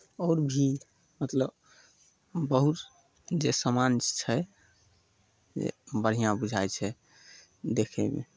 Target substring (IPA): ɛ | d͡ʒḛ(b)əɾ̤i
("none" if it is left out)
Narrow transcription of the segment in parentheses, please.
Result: b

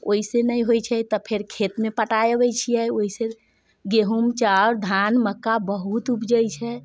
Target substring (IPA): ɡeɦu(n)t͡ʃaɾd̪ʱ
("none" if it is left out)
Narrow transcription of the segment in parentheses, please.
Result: m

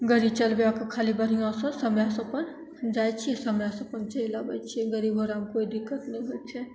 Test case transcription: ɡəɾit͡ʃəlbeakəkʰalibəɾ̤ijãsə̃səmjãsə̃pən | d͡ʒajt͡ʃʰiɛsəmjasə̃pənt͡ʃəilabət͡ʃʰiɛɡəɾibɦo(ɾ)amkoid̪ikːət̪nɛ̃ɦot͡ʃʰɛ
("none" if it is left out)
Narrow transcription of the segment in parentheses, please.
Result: ɾ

